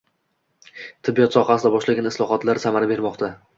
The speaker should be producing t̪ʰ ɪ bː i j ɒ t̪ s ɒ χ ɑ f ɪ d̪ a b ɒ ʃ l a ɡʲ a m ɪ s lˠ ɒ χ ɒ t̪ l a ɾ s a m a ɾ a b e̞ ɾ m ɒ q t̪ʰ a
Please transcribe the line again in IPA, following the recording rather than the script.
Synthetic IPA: t̪ʰ ɪ bː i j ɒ t̪ s ɒ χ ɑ s ɪ d̪ a b ɒ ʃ l a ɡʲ a n ɪ s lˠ ɒ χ ɒ t̪ l a ɾ s a m a ɾ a b e̞ ɾ m ɒ q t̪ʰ a